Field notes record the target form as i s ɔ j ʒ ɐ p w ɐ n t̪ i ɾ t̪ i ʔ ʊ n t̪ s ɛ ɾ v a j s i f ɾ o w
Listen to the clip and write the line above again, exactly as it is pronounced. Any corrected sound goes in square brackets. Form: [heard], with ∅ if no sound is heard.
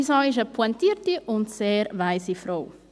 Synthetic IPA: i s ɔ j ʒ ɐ p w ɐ n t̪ i ɾ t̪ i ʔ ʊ n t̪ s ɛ ɾ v a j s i f ɾ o w